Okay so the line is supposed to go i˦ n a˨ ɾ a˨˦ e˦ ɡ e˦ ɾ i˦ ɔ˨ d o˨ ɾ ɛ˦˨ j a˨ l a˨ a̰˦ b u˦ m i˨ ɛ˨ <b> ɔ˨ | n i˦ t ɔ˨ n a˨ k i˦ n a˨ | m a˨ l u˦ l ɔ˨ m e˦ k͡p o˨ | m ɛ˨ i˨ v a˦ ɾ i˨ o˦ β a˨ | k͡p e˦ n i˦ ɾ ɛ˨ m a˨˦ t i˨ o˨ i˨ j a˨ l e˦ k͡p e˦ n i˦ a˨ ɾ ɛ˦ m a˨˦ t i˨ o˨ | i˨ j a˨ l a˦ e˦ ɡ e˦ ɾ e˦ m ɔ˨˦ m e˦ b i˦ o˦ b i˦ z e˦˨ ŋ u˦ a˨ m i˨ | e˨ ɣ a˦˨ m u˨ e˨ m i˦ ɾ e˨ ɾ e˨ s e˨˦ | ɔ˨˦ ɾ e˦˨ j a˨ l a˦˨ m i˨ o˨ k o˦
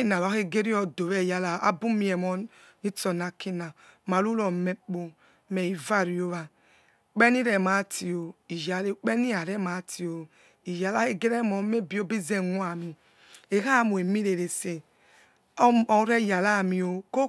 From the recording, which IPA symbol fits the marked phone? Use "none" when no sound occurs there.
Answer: m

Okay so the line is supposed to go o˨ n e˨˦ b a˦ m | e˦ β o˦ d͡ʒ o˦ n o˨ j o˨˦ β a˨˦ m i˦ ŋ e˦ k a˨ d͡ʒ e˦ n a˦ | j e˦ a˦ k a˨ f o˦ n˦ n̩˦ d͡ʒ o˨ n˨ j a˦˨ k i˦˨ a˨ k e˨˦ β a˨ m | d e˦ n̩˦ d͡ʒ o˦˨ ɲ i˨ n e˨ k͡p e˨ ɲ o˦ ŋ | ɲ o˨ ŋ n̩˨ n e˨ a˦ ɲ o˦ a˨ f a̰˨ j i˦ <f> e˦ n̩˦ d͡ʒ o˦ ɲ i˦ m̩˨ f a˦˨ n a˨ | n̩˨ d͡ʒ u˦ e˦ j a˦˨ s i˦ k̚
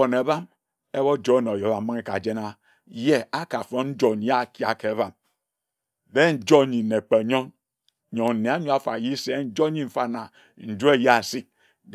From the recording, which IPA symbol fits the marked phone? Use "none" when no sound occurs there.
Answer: s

